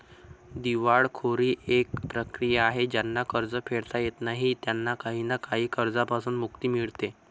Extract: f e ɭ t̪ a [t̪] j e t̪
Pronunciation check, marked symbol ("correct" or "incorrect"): incorrect